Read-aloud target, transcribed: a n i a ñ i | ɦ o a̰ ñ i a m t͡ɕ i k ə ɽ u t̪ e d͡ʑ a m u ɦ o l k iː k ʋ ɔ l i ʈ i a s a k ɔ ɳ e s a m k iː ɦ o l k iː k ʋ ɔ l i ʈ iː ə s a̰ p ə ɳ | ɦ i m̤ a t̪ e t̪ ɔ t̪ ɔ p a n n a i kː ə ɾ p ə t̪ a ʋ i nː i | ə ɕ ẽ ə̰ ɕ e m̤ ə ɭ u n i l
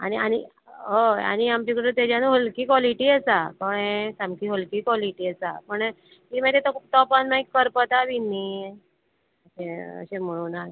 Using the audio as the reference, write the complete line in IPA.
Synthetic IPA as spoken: a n i a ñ i | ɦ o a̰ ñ i a m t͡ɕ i k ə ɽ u t̪ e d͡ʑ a n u ɦ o l k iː k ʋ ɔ l i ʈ i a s a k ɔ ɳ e s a m k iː ɦ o l k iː k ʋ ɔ l i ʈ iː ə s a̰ p ə ɳ | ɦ i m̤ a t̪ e t̪ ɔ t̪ ɔ p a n m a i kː ə ɾ p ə t̪ a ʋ i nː i | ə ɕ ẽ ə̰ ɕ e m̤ ə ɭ u n a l